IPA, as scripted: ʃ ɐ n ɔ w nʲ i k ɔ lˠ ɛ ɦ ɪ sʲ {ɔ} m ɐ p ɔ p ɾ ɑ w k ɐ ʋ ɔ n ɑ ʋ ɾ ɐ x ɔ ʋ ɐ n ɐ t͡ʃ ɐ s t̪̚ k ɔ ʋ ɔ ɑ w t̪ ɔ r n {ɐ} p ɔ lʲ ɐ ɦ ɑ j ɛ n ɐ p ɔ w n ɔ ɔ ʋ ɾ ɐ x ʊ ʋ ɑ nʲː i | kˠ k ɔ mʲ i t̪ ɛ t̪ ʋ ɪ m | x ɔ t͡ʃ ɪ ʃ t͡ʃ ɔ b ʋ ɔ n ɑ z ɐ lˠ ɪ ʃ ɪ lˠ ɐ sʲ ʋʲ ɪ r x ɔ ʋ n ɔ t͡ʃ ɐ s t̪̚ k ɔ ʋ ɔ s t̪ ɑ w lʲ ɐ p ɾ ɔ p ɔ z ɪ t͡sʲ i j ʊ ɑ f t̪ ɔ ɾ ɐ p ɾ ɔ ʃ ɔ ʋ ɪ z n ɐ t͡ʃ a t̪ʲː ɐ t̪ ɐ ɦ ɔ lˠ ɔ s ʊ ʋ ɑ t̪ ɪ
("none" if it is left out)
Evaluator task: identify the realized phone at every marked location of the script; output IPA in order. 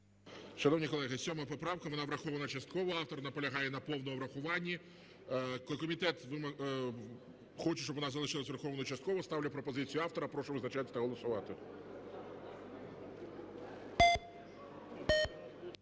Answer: ɔ, ɐ

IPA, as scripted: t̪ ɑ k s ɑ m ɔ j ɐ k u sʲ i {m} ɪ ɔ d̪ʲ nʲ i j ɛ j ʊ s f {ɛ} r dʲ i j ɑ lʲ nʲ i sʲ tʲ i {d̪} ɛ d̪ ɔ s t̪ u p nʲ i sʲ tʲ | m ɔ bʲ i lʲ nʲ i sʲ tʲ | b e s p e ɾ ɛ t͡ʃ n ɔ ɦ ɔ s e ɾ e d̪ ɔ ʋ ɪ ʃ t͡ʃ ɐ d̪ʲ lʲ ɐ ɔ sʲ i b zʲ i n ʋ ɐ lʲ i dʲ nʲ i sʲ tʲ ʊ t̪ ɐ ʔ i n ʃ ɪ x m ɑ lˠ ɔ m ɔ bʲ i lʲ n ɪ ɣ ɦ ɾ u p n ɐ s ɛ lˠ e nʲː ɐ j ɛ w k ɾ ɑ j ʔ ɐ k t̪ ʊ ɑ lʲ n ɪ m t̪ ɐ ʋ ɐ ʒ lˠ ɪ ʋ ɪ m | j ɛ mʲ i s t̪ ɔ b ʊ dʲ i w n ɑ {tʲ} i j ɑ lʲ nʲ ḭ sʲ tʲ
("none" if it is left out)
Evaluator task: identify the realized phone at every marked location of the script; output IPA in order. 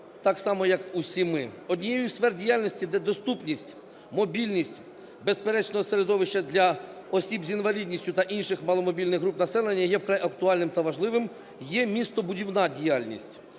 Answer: m, ɛ, d̪, dʲ

